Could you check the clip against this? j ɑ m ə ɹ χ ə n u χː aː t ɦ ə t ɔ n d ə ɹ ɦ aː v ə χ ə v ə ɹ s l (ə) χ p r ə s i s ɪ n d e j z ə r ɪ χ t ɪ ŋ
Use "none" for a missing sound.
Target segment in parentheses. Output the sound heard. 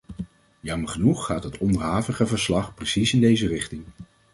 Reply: ɑ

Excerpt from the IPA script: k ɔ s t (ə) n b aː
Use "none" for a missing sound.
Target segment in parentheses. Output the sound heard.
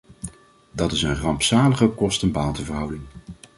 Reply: ə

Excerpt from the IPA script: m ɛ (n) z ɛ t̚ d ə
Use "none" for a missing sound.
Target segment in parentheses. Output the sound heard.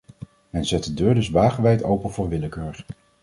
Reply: n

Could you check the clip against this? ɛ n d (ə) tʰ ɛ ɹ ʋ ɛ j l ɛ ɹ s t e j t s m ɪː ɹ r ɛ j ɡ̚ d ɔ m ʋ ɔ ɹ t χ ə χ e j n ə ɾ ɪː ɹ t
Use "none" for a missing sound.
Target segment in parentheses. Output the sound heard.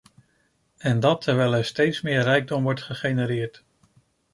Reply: ɑ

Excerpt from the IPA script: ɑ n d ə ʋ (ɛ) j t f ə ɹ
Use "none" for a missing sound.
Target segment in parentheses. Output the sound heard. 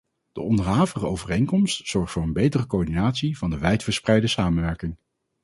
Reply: ɛ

